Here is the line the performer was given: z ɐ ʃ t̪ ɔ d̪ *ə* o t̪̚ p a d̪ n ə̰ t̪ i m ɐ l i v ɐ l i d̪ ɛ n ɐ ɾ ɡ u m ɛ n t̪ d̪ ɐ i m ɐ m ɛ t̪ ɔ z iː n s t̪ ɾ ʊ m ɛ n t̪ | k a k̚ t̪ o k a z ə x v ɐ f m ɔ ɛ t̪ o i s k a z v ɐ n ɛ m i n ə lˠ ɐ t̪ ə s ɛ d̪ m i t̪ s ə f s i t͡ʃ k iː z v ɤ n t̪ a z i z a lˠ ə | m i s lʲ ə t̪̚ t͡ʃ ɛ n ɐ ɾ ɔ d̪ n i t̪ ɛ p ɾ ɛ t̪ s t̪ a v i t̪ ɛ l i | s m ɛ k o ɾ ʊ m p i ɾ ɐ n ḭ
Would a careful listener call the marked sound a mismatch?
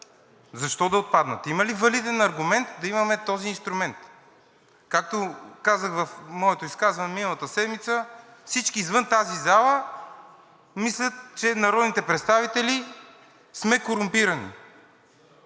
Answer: yes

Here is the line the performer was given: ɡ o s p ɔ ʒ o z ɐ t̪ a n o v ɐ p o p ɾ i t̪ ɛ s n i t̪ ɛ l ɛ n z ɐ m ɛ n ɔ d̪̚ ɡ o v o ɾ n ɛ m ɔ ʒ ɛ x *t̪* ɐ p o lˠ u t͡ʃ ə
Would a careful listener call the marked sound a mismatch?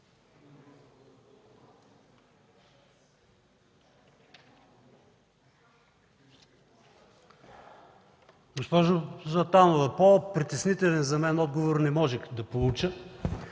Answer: yes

